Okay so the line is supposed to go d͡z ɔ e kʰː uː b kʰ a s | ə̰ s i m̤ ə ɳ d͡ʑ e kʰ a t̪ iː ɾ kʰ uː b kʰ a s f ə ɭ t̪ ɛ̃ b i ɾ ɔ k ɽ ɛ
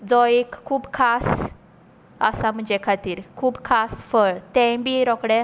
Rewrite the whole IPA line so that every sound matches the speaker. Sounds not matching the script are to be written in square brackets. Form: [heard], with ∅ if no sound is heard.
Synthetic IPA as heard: d͡z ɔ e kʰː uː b kʰ a s | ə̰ s [a] m̤ ə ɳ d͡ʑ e kʰ a t̪ iː ɾ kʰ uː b kʰ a s f ə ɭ t̪ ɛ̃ b i ɾ ɔ k ɽ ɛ